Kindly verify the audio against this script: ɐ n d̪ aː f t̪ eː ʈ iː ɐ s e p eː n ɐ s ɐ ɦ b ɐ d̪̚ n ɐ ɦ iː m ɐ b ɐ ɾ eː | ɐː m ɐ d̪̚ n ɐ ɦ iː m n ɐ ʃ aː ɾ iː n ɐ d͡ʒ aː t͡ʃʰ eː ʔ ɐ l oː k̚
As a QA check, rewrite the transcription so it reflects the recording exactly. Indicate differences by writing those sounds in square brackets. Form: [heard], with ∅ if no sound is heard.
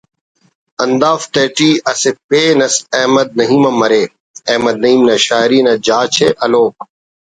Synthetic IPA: ɐ n d̪ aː f t̪ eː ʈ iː ɐ s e p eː n ɐ s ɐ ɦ [m] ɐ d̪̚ n ɐ ɦ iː m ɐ [m] ɐ ɾ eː | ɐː m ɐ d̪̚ n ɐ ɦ iː m n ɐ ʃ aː ɾ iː n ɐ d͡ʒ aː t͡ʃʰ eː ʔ ɐ l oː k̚